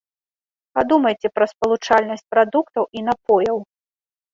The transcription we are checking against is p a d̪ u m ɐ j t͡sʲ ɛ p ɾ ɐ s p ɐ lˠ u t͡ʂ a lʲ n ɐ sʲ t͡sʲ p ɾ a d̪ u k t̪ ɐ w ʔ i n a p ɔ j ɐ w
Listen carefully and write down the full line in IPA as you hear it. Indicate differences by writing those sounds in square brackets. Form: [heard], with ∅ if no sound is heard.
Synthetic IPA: p a d̪ u m ɐ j t͡sʲ ɛ p ɾ ɐ s p ɐ lˠ u t͡ʂ a lʲ n ɐ sʲ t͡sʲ p ɾ a d̪ u k t̪ ɐ w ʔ i n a p ɔ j ɐ w